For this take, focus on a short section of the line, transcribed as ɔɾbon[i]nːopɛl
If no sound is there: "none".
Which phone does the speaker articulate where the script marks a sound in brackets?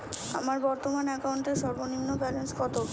i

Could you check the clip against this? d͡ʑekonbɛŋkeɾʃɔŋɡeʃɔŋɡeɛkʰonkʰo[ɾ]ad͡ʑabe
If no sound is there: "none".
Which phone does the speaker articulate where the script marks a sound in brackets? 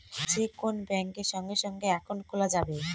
l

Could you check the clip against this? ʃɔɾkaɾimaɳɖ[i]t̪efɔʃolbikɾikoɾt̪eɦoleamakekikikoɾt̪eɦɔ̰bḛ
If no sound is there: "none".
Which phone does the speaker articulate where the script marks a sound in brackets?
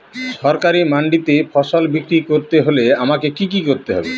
i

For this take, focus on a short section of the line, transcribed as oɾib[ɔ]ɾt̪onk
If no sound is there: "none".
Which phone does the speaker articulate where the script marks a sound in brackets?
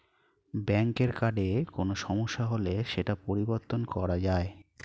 o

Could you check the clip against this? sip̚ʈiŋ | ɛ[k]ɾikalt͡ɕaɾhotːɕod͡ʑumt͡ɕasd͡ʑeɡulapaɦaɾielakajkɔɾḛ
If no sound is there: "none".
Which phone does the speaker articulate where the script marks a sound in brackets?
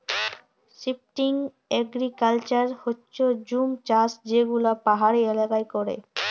ɡ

